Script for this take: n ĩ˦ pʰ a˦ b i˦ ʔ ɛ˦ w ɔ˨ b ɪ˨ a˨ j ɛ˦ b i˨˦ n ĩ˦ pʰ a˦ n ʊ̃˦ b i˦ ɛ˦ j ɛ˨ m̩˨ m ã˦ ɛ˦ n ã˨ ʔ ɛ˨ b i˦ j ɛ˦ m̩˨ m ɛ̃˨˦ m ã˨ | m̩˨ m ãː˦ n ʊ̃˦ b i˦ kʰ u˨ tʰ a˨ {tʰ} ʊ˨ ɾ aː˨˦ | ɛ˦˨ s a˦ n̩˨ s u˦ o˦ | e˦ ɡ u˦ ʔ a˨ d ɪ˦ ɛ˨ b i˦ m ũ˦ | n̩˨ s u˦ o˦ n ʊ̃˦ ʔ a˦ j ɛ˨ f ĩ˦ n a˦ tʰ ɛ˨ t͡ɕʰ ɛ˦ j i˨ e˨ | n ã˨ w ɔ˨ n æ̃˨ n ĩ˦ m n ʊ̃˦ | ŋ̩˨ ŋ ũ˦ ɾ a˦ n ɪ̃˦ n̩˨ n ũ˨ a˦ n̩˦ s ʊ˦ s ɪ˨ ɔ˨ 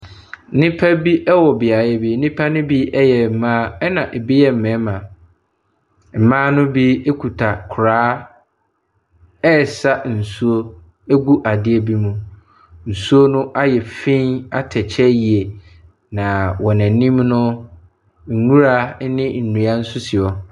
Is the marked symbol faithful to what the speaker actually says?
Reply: no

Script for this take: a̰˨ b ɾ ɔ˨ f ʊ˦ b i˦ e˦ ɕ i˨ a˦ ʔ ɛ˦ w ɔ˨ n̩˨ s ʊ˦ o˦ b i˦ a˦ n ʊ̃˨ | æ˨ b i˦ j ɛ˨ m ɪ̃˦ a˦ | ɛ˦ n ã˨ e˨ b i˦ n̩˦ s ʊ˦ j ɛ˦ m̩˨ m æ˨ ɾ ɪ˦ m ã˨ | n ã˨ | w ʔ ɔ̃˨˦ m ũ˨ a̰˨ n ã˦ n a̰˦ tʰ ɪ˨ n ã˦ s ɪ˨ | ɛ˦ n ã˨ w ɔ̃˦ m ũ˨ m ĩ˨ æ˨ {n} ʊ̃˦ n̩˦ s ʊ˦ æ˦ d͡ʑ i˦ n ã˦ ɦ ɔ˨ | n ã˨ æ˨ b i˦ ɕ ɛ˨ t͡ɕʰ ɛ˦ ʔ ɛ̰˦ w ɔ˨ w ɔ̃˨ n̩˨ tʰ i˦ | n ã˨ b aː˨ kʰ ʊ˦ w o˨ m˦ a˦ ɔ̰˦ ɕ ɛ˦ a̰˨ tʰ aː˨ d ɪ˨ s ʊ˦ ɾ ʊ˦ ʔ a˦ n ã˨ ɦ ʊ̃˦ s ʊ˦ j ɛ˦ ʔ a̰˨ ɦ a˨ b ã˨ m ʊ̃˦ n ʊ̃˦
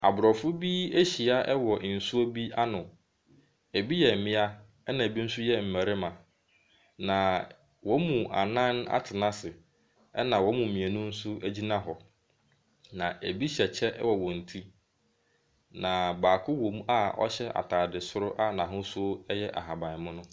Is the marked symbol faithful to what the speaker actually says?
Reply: yes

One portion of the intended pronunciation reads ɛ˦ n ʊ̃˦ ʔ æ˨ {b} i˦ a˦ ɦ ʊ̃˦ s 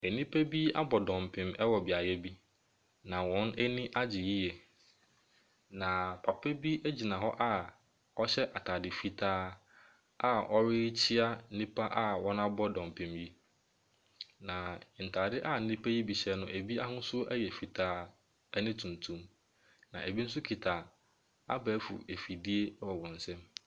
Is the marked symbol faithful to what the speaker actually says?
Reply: yes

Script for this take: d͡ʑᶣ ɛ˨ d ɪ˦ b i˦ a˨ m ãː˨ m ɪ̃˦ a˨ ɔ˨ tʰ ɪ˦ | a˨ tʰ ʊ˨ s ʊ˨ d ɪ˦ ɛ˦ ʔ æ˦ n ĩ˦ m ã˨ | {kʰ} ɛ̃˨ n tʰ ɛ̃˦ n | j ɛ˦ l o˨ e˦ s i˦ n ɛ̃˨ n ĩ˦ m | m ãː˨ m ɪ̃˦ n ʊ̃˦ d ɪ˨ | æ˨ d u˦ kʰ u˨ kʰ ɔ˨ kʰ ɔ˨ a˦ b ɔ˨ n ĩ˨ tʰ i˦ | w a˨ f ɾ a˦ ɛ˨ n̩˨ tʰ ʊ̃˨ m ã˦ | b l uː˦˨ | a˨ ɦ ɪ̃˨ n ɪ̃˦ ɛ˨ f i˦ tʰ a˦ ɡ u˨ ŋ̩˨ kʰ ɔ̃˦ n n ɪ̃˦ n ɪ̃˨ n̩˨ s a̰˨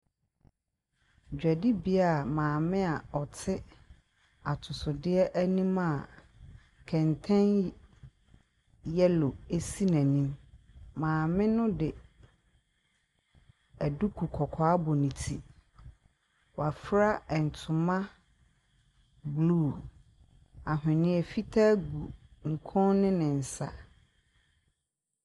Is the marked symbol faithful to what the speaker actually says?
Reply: yes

